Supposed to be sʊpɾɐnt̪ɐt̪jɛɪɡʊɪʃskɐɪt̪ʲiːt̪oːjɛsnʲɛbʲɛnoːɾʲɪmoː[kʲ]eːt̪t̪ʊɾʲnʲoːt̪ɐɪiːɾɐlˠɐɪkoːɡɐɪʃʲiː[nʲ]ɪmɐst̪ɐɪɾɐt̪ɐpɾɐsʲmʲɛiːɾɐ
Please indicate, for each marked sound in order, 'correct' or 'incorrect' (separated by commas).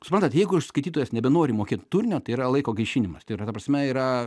correct, correct